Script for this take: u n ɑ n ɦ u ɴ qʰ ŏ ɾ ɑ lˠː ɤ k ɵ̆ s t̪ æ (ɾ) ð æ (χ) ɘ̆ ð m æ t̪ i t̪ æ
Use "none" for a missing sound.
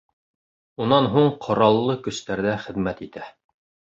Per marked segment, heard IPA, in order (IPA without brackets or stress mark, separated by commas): ɾ, χ